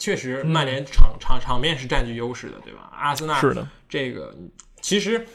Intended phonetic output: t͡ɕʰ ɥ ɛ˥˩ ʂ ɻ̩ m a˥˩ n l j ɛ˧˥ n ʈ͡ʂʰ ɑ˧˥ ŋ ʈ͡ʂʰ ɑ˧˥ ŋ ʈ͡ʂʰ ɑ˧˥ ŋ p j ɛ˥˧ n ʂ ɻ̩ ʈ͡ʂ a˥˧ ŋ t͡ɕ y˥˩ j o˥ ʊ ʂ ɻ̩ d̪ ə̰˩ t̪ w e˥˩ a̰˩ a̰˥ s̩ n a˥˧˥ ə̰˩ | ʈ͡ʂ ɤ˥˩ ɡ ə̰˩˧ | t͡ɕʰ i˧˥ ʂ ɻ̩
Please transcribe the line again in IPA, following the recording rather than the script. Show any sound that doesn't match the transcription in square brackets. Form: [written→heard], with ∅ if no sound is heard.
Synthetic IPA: t͡ɕʰ ɥ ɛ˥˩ ʂ ɻ̩ m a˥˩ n l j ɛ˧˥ n ʈ͡ʂʰ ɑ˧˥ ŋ ʈ͡ʂʰ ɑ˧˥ ŋ ʈ͡ʂʰ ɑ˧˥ ŋ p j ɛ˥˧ n ʂ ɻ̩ ʈ͡ʂ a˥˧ [ŋ→n] t͡ɕ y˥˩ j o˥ ʊ ʂ ɻ̩ d̪ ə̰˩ t̪ w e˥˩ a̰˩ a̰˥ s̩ n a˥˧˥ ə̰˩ | ʈ͡ʂ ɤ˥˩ ɡ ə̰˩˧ | t͡ɕʰ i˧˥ ʂ ɻ̩